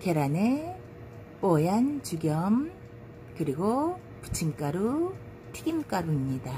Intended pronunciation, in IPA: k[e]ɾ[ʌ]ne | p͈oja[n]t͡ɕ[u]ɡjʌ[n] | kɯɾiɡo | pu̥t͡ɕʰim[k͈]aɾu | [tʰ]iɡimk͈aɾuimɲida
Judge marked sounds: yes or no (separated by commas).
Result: yes, no, yes, yes, no, yes, yes